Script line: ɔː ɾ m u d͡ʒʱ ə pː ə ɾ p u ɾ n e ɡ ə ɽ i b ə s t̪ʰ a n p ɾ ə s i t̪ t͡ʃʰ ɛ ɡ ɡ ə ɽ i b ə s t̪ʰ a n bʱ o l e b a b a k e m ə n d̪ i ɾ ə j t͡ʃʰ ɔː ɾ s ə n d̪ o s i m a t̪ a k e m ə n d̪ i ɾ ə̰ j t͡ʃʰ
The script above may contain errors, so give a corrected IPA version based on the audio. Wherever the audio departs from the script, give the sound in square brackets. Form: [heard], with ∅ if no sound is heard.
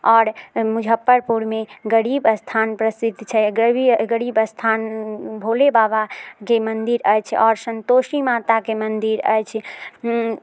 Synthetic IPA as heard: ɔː ɾ m u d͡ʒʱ ə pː ə ɾ p u ɾ [m] e ɡ ə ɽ i b ə s t̪ʰ a n p ɾ ə s i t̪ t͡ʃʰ ɛ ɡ ɡ ə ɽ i b ə s t̪ʰ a n bʱ o l e b a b a k e m ə n d̪ i ɾ ə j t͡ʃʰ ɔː ɾ s ə n [t̪] o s i m a t̪ a k e m ə n d̪ i ɾ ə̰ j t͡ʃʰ